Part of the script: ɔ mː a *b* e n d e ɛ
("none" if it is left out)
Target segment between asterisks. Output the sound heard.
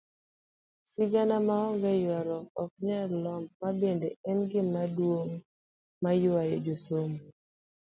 b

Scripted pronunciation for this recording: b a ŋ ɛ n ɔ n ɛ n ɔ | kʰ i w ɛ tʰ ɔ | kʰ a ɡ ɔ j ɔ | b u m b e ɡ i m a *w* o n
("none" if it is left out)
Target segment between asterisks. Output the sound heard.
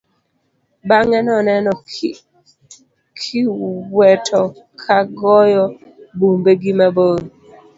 b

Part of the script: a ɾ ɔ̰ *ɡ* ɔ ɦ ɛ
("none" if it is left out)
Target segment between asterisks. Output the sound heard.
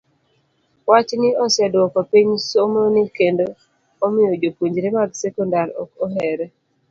k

